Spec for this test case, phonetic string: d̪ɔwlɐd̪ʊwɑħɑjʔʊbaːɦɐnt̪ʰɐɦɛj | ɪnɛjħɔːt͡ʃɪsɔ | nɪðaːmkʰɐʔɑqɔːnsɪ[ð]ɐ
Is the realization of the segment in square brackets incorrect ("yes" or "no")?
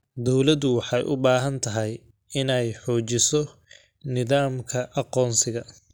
yes